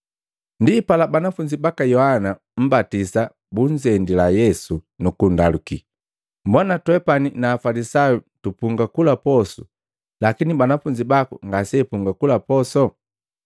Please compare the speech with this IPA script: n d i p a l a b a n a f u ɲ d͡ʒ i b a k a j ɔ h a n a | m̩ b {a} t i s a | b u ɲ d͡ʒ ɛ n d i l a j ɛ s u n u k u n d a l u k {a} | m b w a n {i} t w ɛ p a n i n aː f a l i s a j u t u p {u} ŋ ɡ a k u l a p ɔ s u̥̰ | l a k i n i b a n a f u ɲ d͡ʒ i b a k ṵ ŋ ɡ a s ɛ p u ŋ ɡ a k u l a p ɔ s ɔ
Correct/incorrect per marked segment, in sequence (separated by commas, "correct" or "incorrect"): correct, incorrect, incorrect, correct